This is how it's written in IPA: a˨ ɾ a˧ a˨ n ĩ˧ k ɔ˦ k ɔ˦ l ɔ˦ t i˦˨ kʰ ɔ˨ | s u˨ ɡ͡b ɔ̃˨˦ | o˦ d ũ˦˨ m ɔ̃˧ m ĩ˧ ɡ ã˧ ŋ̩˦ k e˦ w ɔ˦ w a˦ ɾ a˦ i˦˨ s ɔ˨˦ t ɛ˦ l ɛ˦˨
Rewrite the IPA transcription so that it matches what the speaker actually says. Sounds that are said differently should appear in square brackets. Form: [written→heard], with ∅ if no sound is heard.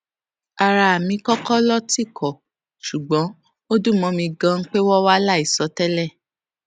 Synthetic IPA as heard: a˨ ɾ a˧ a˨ [n→m] ĩ˧ k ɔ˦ k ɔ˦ l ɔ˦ t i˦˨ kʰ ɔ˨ | [s→ʃ] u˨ ɡ͡b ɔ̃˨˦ | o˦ d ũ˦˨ m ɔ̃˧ m ĩ˧ ɡ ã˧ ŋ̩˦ [k→k͡p] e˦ w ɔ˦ w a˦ [ɾ→l] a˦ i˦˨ s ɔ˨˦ t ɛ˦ l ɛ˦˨